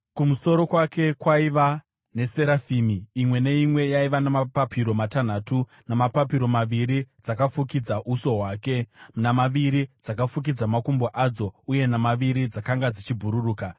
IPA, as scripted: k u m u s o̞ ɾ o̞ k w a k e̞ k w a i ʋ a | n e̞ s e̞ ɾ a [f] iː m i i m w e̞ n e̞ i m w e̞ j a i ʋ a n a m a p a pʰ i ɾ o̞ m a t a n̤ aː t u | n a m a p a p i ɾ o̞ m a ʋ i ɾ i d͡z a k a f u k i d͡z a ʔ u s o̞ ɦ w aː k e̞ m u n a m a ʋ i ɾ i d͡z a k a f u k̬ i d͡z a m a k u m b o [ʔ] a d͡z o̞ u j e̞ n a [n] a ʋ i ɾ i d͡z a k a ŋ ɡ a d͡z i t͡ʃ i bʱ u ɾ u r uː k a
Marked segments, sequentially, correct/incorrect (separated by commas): correct, correct, incorrect